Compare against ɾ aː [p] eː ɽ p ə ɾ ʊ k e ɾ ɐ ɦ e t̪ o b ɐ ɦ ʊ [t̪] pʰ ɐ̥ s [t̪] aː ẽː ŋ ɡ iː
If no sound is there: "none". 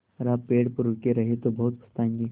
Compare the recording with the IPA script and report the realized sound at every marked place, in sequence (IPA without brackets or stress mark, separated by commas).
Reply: p, t̪, t̪